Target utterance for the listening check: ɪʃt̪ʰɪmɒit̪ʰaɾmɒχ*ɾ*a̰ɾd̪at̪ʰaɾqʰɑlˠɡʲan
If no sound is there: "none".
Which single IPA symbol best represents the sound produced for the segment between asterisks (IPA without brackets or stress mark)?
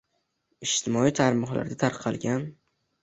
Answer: l